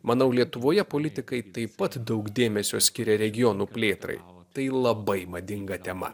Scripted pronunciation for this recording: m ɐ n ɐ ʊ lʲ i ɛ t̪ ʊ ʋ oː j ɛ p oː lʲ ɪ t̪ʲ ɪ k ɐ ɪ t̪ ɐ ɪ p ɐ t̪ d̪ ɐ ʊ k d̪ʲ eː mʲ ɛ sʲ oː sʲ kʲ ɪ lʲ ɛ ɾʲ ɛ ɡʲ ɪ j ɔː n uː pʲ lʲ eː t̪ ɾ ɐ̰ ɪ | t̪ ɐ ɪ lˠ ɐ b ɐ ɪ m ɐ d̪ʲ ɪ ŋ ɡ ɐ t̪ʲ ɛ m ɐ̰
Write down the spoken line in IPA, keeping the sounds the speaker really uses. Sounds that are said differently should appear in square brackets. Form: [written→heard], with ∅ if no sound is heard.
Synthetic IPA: m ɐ n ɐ ʊ lʲ i ɛ t̪ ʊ ʋ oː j ɛ p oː lʲ ɪ t̪ʲ ɪ k ɐ ɪ t̪ ɐ ɪ p ɐ t̪ d̪ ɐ ʊ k d̪ʲ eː mʲ ɛ sʲ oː sʲ kʲ ɪ [lʲ→ɾʲ] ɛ ɾʲ ɛ ɡʲ ɪ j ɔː n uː pʲ lʲ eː t̪ ɾ ɐ̰ ɪ | t̪ ɐ ɪ lˠ ɐ b ɐ ɪ m ɐ d̪ʲ ɪ ŋ ɡ ɐ t̪ʲ ɛ m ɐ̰